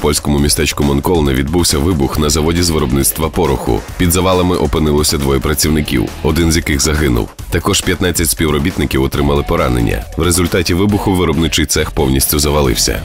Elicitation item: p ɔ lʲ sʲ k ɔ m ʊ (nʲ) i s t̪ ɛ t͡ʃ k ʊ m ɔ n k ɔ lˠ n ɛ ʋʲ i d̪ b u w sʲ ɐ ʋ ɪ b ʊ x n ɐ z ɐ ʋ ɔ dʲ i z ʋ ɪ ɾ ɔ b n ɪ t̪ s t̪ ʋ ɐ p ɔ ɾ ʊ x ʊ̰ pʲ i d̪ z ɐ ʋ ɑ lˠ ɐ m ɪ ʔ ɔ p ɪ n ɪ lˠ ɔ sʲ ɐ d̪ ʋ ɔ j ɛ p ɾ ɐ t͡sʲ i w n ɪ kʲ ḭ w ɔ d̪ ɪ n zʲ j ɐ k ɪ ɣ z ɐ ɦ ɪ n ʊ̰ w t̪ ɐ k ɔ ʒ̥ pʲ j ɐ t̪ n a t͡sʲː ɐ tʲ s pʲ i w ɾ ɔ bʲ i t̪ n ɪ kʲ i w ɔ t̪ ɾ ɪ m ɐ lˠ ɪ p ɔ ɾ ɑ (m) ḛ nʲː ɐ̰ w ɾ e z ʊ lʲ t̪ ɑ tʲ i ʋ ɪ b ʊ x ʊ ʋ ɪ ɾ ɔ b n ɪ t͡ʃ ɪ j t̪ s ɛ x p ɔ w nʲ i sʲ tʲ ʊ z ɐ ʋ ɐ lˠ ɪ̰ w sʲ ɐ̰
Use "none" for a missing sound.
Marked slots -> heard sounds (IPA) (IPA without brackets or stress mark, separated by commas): mʲ, n